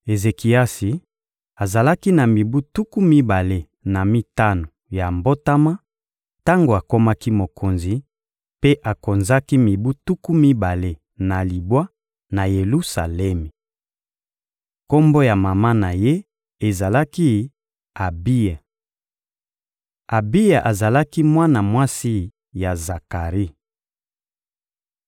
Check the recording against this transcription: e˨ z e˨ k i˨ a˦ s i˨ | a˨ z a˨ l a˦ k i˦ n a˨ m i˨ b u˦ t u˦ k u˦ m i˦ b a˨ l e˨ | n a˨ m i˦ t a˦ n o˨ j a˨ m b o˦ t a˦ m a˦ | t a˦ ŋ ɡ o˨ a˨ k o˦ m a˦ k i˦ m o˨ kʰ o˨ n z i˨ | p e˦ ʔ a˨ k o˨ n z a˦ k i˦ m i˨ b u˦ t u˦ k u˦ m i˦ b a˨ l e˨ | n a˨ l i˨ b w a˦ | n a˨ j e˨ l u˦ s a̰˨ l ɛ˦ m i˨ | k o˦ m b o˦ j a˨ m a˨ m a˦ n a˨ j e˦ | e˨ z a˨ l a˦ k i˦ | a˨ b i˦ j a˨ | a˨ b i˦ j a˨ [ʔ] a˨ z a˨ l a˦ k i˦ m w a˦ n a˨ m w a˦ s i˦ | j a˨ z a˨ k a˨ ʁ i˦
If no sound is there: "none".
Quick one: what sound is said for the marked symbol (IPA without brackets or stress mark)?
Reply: ʔ